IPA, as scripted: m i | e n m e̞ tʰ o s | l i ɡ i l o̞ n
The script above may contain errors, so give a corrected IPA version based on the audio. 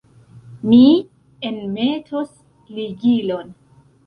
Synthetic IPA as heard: m i | e n m e̞ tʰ o s | l i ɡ i l o̞ n